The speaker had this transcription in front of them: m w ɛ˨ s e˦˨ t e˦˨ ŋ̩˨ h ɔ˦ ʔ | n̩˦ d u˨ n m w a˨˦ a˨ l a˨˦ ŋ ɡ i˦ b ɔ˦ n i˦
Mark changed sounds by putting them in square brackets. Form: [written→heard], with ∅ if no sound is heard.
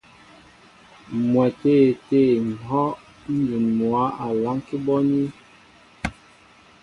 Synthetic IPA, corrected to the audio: m w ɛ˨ [s→t] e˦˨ t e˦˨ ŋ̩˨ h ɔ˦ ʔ | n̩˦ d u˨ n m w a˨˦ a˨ l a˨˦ ŋ [ɡ→k] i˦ b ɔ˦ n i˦